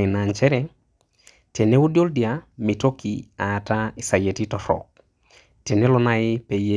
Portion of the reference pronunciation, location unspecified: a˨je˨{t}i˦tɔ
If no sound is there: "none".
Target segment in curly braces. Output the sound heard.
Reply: t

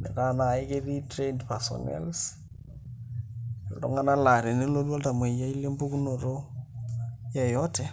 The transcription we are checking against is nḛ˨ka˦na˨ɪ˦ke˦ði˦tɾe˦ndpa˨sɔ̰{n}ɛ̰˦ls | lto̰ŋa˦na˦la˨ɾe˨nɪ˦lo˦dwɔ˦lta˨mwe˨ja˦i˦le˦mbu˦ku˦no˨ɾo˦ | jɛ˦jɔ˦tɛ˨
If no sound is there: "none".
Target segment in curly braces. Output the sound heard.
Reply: n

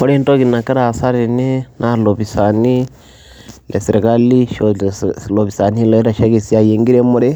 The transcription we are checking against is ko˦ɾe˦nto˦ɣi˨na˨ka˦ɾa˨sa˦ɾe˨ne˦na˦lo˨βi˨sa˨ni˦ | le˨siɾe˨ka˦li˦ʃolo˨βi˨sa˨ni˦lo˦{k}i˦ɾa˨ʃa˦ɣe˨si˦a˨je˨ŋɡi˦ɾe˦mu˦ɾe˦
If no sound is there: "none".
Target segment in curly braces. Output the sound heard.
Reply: none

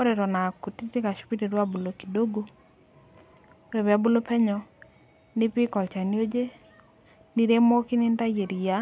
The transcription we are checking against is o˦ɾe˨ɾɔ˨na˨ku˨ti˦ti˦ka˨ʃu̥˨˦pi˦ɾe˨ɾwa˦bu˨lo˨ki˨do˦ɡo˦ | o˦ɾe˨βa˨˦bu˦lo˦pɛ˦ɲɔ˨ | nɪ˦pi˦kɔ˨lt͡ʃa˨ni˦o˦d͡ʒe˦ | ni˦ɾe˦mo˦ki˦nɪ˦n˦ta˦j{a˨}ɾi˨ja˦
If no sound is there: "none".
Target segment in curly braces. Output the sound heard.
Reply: e˨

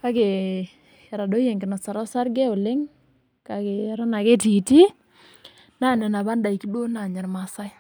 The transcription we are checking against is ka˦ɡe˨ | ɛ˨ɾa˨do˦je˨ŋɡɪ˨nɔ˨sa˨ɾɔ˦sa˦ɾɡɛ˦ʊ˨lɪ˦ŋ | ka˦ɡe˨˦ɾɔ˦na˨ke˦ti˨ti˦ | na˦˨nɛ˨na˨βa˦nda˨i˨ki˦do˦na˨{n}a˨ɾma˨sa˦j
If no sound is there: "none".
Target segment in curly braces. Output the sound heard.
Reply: ɲ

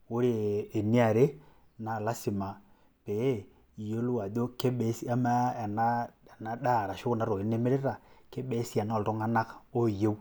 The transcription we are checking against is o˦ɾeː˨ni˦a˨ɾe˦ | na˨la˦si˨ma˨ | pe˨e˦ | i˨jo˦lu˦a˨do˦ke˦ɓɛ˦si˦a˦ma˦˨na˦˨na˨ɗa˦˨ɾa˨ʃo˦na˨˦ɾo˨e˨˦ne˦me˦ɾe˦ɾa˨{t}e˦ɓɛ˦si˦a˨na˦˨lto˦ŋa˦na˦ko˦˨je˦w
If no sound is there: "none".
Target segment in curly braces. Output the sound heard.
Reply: k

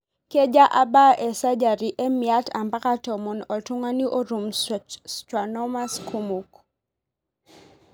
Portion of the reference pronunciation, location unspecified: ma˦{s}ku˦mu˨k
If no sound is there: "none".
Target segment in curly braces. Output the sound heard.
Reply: s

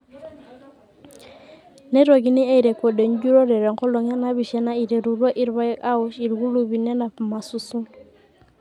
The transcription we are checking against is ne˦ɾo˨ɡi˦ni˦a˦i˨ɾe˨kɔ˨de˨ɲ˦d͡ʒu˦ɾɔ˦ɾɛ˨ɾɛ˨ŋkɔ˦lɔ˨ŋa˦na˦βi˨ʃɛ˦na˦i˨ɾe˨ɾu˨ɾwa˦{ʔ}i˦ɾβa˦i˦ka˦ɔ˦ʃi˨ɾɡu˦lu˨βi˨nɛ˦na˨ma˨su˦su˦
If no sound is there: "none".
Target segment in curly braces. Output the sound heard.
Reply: ʔ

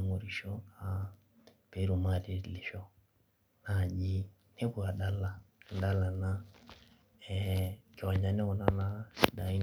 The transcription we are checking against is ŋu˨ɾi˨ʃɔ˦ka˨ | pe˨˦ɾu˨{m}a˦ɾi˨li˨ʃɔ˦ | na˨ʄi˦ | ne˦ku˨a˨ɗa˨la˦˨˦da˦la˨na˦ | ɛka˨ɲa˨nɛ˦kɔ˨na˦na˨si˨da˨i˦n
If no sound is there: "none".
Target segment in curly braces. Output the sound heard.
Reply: m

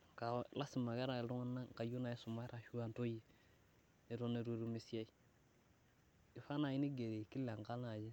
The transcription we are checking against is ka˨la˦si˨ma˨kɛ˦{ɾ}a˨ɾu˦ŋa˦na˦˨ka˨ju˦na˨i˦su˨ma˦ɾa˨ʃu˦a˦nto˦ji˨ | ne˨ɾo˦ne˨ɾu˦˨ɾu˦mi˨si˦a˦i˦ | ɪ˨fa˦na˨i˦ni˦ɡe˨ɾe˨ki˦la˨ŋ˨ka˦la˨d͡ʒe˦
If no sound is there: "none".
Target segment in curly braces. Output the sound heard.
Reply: ɾ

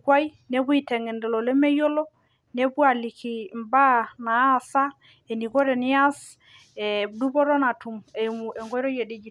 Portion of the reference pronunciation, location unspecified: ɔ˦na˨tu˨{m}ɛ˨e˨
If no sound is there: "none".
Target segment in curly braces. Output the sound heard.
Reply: m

